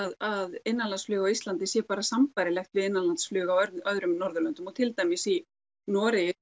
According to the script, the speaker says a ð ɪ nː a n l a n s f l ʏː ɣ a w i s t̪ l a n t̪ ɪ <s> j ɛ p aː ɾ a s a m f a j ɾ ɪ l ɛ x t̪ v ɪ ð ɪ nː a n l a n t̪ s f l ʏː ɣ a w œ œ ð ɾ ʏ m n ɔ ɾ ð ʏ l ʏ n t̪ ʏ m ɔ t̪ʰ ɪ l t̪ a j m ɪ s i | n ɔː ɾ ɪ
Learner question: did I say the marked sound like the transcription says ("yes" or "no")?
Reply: yes